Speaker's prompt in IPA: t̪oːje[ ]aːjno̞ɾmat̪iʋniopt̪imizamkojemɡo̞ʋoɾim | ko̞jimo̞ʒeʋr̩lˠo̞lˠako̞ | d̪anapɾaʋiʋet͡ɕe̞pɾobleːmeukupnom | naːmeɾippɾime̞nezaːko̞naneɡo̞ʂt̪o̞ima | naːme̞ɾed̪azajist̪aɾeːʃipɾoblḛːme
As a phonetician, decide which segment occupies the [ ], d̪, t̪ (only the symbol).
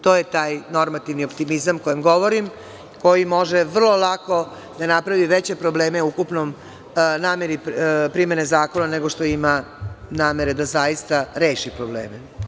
t̪